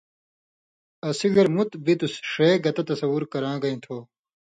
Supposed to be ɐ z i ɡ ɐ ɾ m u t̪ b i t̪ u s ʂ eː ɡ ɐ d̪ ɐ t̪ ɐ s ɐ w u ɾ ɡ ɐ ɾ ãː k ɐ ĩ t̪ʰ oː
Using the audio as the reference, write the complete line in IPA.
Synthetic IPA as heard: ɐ s i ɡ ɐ ɾ m u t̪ b i t̪ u s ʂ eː ɡ ɐ t̪ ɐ t̪ ɐ s ɐ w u ɾ k ɐ ɾ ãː ɡ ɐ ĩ t̪ʰ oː